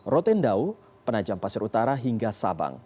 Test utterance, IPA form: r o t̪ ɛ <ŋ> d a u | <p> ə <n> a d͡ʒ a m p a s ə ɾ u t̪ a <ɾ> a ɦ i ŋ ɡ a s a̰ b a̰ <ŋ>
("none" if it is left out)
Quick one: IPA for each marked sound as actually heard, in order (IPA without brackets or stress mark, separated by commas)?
n, p, n, ɾ, ŋ